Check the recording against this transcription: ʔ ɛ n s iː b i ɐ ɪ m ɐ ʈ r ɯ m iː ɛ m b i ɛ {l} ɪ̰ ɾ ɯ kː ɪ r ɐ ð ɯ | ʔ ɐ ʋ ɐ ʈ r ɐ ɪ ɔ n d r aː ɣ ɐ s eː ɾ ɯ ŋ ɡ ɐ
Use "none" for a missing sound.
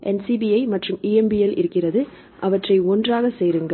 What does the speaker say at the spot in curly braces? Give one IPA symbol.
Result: l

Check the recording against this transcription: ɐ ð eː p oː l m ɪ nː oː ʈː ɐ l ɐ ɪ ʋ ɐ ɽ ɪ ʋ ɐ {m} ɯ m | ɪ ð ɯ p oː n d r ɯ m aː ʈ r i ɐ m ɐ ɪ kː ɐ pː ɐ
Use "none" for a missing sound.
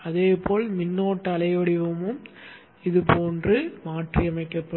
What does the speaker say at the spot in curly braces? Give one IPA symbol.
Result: m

